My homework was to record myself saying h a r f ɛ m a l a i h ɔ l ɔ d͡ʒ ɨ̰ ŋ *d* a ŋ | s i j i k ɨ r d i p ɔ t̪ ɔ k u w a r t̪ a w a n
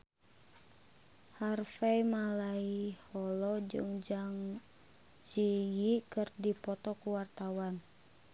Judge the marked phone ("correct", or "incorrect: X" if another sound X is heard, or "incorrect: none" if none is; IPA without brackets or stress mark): incorrect: d͡ʒ